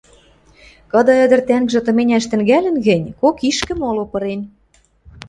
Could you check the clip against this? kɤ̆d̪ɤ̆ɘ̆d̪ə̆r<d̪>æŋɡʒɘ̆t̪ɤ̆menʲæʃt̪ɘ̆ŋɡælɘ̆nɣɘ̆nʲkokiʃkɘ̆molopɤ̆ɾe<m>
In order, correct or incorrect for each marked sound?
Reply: incorrect: t̪, incorrect: n

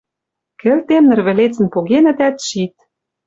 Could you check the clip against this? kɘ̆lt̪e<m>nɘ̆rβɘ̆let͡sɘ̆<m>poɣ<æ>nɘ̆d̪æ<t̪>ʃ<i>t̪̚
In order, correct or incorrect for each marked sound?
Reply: correct, incorrect: n, incorrect: e, correct, correct

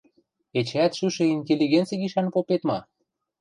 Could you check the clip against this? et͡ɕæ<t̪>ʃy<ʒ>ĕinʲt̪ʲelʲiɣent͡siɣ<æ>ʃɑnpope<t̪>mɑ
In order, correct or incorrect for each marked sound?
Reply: correct, incorrect: ʃ, incorrect: i, correct

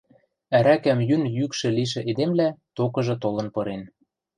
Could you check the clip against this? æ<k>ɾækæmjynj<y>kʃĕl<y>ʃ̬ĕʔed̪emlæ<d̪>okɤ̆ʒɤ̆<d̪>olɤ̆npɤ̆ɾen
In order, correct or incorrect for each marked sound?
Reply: incorrect: none, correct, incorrect: i, incorrect: t̪, incorrect: t̪

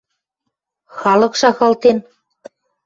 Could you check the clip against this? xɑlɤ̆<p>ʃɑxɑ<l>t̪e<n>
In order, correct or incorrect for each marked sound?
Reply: incorrect: k, correct, correct

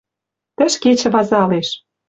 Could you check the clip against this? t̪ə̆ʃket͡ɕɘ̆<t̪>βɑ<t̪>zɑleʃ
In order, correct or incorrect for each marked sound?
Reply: incorrect: none, incorrect: none

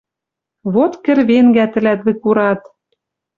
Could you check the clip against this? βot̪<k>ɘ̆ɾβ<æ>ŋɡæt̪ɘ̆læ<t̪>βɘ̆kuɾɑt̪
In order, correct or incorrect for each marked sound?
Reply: correct, incorrect: e, correct

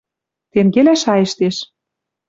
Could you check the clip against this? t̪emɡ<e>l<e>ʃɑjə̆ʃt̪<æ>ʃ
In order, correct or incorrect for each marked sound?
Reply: correct, incorrect: æ, incorrect: e

